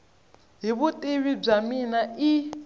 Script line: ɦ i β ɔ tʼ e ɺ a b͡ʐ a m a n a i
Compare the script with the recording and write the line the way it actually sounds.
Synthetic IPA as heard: ɦ i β u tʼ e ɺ i b͡ʐ a m i n a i